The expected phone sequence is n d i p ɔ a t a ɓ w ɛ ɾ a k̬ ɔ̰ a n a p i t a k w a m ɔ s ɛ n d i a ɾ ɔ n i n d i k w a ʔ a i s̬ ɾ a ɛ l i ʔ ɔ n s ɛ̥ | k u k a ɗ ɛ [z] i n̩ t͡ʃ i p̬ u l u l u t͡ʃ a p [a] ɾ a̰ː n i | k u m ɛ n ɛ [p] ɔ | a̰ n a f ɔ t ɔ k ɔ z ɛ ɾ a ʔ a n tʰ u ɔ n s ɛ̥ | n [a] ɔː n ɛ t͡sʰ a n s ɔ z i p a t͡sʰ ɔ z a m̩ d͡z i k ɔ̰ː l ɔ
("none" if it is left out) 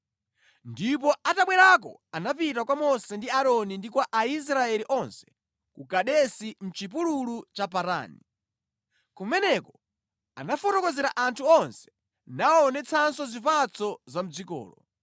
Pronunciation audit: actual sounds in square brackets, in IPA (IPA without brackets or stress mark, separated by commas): s, a, k, a